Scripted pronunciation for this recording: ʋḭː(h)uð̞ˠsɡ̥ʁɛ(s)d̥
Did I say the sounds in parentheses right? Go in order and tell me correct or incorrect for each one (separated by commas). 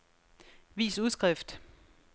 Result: incorrect, incorrect